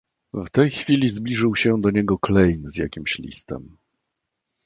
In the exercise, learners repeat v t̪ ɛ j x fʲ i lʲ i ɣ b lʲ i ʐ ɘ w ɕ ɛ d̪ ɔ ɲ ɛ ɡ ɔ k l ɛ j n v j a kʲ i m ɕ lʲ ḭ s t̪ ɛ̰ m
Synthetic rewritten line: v t̪ ɛ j x fʲ i lʲ i z b lʲ i ʐ ɘ w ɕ ɛ d̪ ɔ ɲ ɛ ɡ ɔ k l ɛ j n z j a kʲ i m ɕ lʲ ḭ s t̪ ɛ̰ m